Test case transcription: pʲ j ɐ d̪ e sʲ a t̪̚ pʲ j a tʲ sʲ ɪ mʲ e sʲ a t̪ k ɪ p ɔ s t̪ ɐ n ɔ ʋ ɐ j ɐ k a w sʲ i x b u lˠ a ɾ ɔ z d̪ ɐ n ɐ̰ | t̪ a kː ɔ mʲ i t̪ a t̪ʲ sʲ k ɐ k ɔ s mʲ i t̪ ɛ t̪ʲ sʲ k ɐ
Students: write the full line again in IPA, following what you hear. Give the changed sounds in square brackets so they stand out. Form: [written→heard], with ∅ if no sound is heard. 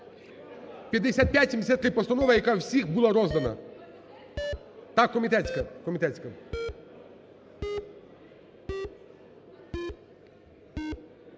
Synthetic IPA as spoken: pʲ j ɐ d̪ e sʲ a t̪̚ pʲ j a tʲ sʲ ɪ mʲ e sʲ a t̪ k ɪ p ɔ s t̪ ɐ n ɔ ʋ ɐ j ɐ k a w sʲ i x b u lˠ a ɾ ɔ z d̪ ɐ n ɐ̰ | t̪ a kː ɔ mʲ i t̪ [a→ɛ] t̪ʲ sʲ k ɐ k ɔ [s→∅] mʲ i t̪ ɛ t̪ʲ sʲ k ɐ